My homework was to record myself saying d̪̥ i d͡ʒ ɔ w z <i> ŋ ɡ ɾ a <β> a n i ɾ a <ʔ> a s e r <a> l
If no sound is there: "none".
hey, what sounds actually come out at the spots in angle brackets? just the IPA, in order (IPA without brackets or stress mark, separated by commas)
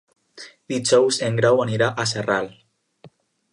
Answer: e, w, ʔ, a